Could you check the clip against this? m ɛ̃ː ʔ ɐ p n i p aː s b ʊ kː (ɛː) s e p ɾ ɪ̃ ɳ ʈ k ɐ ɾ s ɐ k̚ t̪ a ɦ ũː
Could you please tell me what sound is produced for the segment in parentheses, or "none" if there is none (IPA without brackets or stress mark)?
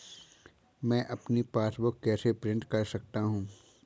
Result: ɛː